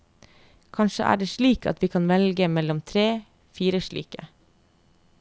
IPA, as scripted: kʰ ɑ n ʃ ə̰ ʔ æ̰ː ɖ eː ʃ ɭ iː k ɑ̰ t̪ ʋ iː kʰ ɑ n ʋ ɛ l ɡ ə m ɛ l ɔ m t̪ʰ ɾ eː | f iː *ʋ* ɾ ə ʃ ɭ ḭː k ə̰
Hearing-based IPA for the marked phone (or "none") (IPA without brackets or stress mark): none